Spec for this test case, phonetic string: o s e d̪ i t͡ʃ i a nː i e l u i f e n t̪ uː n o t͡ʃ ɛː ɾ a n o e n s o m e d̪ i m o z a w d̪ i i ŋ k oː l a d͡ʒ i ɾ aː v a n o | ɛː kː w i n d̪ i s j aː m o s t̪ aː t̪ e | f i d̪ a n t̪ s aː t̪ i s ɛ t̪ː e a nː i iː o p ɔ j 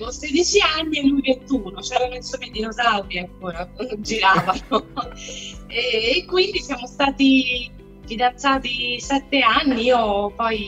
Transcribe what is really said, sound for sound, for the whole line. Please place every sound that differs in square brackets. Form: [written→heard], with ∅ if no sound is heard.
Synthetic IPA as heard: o s e d̪ i t͡ʃ i a nː i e l u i [f→v] e n t̪ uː n o t͡ʃ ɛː ɾ a n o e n s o m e d̪ i [m→n] o z a w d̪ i [i→a] ŋ k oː [l→ɾ] a d͡ʒ i ɾ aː v a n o | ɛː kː w i n d̪ i s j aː m o s t̪ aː t̪ [e→i] | f i d̪ a n t̪ s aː t̪ i s ɛ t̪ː e a nː i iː o p ɔ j